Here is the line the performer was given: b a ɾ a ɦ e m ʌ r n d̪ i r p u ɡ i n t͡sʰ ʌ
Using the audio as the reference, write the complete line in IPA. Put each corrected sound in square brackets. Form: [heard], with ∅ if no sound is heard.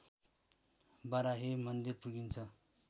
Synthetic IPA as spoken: b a ɾ a ɦ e m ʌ [∅] n d̪ i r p u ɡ i n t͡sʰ ʌ